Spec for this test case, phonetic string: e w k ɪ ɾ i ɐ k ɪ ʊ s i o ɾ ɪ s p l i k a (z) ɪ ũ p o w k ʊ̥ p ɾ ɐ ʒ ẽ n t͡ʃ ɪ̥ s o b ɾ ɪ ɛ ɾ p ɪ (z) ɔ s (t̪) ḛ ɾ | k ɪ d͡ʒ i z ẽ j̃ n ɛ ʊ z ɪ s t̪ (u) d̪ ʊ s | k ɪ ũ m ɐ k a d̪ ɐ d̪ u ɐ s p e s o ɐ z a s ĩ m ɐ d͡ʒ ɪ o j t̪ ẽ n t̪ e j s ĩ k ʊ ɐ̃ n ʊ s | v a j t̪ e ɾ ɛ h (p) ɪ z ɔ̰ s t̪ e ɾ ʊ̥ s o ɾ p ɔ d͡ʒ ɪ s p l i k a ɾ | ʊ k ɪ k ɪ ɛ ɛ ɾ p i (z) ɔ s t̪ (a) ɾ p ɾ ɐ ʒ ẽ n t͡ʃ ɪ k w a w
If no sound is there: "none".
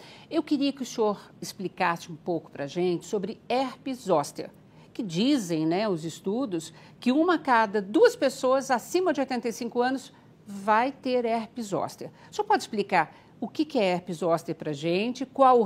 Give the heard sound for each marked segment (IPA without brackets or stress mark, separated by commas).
s, z, t̪, u, p, z, e